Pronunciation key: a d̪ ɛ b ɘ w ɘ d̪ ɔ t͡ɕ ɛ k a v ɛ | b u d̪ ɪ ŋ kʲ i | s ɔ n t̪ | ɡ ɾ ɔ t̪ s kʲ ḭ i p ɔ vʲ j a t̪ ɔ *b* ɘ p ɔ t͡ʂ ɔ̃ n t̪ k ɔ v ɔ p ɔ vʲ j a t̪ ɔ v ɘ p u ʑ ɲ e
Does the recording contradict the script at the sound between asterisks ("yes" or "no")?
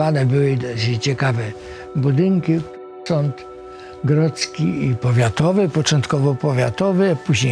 yes